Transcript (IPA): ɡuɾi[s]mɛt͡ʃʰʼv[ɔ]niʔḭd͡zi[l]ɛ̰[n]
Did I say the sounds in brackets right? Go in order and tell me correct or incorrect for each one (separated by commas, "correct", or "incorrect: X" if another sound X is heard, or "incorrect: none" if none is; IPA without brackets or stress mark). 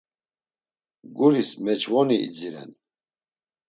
correct, correct, incorrect: ɾ, correct